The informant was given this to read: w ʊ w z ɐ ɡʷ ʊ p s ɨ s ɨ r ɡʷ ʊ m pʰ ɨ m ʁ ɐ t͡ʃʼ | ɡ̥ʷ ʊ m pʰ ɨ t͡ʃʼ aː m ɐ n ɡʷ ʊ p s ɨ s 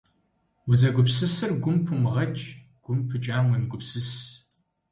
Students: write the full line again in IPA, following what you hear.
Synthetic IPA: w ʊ z ɐ ɡʷ ʊ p s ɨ s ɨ r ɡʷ ʊ m pʰ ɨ m ʁ ɐ t͡ʃʼ | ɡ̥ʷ ʊ m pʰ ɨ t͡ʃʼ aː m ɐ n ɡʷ ʊ p s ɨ s

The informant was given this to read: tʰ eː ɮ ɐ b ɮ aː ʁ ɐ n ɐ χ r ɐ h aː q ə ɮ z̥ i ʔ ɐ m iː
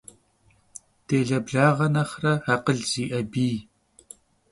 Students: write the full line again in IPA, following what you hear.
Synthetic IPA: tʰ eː ɮ ɐ b ɮ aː ʁ ɐ n ɐ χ r ɐ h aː q ə ɮ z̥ iː ʔ ɐ b iː

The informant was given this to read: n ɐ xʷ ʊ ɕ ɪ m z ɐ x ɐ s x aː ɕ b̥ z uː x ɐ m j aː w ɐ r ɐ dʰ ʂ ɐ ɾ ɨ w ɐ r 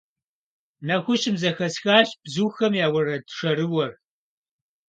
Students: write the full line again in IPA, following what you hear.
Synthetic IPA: n ɐ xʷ ʊ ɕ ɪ m z ɐ x ɐ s x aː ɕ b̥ z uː x ɐ m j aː w ɐ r ɐ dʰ ʂ ɐ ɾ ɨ w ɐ r

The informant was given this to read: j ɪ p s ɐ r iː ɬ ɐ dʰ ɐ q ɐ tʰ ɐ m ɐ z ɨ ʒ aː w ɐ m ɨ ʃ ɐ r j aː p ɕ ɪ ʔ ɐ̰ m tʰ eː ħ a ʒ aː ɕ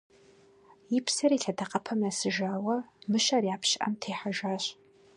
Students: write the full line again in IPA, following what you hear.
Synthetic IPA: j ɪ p s ɐ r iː ɬ ɐ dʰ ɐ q ɐ pʰ ɐ m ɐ s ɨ ʒ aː w ɐ m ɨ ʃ ɐ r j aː p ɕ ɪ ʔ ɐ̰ m tʰ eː ħ a ʒ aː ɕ

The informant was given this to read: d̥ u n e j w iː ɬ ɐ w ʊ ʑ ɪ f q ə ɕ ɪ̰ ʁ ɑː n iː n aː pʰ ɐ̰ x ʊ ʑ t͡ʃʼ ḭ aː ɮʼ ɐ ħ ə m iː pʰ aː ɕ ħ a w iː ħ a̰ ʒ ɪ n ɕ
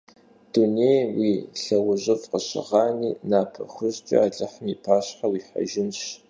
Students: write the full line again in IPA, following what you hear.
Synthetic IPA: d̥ u n e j w iː ɬ ɐ w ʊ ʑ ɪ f q ə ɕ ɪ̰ ʁ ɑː n iː n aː pʰ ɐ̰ x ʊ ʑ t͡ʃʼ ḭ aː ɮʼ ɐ ħ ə m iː pʰ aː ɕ ħ a w iː ħ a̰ ʒ ɪ n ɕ

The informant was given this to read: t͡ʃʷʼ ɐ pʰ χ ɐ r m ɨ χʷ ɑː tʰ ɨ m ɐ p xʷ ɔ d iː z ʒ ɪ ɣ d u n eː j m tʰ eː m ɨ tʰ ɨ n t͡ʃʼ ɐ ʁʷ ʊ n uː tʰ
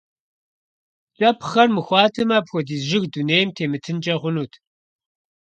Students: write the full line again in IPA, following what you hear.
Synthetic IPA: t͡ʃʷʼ ɐ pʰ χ ɐ r m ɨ xʷ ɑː tʰ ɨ m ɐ p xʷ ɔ d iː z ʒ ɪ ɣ d u n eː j m tʰ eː m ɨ tʰ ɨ n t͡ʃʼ ɐ ʁʷ ʊ n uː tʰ

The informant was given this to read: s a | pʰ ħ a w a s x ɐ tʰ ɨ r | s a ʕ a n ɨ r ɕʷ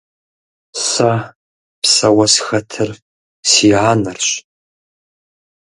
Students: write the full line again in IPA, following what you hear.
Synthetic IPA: s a | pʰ s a w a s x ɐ tʰ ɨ r | s i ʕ a n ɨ r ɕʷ

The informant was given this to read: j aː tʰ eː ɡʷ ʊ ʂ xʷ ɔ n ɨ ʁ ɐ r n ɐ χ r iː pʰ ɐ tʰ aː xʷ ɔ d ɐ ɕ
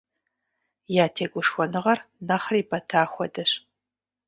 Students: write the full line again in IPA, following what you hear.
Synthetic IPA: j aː tʰ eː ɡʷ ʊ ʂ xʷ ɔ n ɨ ʁ ɐ r n ɐ χ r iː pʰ ɐ tʰ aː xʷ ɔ d ɐ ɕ

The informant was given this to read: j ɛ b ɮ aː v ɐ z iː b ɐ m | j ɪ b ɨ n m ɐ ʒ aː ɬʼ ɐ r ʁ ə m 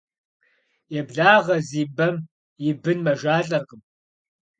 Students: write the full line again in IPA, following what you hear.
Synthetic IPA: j ɛ b ɮ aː ʁ ɐ z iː b ɐ m | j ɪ b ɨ n m ɐ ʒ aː ɬʼ ɐ r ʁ ə m

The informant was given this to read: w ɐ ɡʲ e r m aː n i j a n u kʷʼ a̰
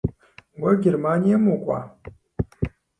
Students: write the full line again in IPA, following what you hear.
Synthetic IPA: w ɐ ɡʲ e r m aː n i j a m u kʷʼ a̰

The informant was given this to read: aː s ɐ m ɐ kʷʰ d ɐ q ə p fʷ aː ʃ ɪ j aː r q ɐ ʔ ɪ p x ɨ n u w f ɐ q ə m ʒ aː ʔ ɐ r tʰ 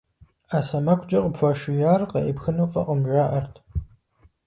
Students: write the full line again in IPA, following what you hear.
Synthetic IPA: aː s ɐ m ɐ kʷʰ d͡ʒ ɐ q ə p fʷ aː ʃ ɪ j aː r q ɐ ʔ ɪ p x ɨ n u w f ɐ q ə m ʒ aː ʔ ɐ r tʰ

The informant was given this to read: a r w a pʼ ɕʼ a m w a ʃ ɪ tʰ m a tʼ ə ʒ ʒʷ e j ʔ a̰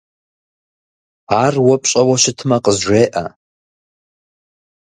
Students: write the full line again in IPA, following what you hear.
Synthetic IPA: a r w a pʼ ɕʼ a w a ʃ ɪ tʰ m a qʼ ə z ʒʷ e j ʔ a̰

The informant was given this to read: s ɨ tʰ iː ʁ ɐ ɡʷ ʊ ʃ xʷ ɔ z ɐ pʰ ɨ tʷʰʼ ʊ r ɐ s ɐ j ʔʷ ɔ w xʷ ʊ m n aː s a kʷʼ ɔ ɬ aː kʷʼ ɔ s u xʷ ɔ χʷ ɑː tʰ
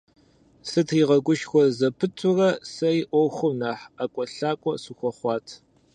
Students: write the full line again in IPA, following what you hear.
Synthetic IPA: s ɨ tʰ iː ʁ ɐ ɡʷ ʊ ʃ xʷ ɔ z ɐ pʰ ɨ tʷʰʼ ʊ r ɐ s ɐ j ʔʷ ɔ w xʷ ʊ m n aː ħ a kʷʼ ɔ ɬ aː kʷʼ ɔ s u xʷ ɔ χʷ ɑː tʰ

